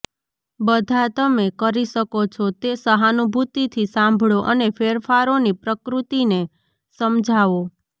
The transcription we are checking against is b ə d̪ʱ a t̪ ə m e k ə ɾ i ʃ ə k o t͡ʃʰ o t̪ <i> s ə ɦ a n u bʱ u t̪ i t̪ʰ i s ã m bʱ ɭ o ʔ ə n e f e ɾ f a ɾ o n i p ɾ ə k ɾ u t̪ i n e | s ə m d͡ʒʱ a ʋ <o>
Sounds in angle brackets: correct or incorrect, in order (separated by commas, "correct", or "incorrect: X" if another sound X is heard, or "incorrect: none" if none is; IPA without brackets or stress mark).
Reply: incorrect: e, correct